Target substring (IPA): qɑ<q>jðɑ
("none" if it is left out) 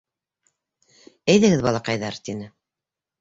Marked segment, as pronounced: none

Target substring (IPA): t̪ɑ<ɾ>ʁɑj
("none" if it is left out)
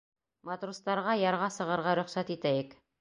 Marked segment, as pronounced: ɾ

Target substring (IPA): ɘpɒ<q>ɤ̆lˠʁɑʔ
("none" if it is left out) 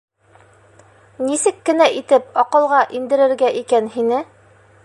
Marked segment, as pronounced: q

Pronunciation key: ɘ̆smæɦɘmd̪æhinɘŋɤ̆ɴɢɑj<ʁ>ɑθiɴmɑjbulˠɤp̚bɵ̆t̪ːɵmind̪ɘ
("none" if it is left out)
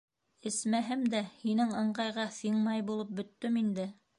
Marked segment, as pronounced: ʁ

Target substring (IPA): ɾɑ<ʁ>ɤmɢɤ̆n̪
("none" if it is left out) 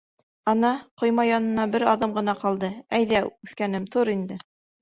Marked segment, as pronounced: ð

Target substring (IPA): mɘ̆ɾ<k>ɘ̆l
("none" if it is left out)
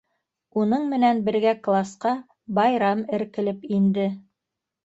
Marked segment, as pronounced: k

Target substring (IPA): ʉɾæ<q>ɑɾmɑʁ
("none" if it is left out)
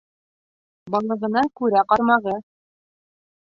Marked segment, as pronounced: q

